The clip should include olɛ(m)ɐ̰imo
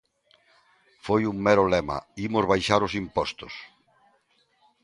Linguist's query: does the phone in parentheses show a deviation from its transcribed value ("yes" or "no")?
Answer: no